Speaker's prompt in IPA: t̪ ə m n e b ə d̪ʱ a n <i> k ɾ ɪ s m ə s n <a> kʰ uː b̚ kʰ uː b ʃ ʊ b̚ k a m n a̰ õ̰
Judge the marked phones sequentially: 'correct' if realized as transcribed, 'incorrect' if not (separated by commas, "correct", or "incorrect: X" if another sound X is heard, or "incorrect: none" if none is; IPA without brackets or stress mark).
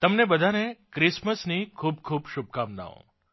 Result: incorrect: e, incorrect: i